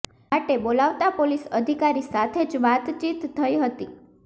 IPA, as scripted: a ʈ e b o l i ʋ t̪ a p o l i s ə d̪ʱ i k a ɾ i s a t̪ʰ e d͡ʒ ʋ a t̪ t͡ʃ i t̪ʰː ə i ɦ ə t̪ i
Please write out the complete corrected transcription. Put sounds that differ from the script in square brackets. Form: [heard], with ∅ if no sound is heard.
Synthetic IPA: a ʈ e b o l [a] ʋ t̪ a p o l i s ə d̪ʱ i k a ɾ i s a t̪ʰ e d͡ʒ ʋ a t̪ t͡ʃ i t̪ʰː ə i ɦ ə t̪ i